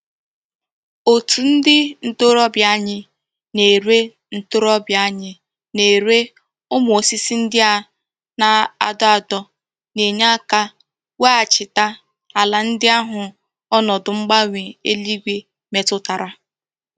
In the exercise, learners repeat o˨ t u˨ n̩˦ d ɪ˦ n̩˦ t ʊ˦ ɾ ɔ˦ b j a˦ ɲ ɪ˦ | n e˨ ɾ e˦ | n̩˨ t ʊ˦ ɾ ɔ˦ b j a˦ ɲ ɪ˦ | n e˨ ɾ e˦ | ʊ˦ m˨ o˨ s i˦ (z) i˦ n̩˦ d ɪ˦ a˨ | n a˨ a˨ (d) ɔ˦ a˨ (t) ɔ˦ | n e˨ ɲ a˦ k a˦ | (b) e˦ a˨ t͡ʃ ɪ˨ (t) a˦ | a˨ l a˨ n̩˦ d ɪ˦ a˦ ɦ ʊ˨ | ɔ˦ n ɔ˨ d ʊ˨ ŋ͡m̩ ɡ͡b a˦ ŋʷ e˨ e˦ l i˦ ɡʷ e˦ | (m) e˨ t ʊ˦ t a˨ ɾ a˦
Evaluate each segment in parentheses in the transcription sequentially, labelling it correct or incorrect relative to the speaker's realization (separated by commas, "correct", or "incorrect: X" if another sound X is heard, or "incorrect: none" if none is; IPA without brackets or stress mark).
incorrect: s, correct, incorrect: d, incorrect: w, correct, correct